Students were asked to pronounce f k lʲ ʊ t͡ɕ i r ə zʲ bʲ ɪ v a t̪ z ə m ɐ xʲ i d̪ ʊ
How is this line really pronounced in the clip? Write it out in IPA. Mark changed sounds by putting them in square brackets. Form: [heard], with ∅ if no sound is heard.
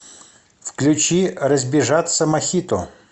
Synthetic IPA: f k lʲ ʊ t͡ɕ i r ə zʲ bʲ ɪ [ʐ] a t̪ [s] ə m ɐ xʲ i [t̪] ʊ